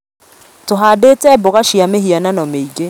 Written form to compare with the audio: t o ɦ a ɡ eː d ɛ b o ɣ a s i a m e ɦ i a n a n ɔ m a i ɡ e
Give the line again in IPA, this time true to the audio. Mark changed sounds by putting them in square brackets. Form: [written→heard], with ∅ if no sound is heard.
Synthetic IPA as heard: t o ɦ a [ɡ→d] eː [d→t] ɛ b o ɣ a [s→ʃ] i a m e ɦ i a n a n ɔ m [a→e] i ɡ e